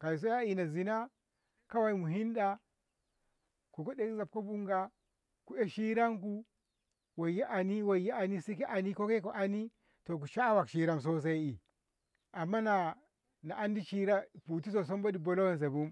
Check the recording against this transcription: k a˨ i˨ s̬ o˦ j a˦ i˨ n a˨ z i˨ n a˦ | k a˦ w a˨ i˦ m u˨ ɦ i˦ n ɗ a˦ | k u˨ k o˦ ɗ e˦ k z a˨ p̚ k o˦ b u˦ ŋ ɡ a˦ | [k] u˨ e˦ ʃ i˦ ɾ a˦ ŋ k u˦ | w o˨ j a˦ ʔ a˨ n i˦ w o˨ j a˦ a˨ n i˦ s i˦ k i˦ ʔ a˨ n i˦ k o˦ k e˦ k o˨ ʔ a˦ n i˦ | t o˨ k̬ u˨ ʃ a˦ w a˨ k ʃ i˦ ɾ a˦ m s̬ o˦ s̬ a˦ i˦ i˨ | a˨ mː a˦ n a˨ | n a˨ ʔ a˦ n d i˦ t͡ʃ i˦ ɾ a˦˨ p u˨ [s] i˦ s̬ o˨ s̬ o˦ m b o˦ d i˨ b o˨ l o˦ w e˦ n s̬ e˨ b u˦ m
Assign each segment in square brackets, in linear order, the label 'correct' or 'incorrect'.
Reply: correct, incorrect: t

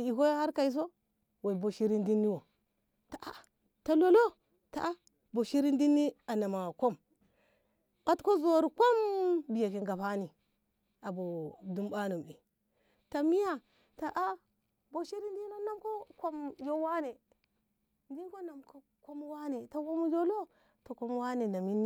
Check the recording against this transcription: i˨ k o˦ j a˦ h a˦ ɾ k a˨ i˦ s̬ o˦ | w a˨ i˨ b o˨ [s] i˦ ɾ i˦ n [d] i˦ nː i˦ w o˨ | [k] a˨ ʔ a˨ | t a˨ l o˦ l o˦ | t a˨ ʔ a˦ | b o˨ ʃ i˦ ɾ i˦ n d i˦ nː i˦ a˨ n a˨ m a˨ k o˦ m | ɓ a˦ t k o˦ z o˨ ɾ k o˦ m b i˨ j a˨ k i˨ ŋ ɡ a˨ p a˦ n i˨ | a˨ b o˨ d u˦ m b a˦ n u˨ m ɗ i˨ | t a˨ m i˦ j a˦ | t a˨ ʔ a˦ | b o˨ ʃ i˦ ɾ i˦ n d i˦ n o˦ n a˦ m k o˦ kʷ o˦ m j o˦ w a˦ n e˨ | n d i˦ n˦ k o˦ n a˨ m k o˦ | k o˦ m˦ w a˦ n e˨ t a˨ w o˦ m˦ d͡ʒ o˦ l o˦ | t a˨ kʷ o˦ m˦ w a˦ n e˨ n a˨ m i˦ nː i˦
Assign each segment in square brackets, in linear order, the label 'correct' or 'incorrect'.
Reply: incorrect: ʃ, correct, incorrect: t

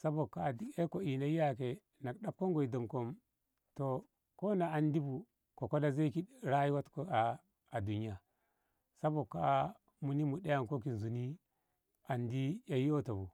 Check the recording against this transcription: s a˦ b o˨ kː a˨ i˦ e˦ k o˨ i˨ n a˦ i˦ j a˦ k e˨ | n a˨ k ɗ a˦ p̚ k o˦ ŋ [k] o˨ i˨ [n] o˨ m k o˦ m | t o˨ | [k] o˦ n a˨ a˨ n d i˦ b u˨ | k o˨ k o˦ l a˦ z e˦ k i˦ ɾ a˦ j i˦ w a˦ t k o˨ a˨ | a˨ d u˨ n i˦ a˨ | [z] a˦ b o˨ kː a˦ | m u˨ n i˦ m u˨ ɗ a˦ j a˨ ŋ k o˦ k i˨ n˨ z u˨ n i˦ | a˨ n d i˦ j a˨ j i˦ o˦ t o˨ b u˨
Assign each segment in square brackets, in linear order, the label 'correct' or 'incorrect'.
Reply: incorrect: ɡ, incorrect: d, correct, incorrect: s

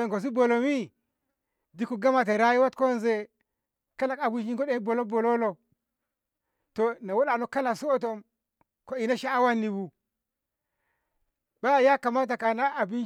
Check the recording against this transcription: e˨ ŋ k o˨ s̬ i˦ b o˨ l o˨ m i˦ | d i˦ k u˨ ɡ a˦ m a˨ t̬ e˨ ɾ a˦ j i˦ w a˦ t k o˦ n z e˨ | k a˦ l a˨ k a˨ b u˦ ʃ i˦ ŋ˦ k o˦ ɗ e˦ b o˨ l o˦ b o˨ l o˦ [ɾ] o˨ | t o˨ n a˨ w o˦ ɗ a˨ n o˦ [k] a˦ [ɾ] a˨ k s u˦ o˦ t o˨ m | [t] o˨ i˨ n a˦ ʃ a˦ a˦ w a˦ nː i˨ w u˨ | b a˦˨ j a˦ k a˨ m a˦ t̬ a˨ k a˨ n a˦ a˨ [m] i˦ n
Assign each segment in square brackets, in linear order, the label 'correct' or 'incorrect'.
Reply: incorrect: l, correct, incorrect: l, incorrect: k, incorrect: b

